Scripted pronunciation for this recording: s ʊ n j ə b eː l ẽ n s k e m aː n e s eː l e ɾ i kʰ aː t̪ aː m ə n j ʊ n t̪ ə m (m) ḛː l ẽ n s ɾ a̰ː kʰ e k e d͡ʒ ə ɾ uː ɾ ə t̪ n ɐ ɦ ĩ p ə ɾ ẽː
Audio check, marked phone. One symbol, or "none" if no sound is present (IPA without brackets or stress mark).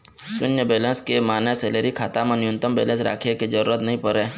b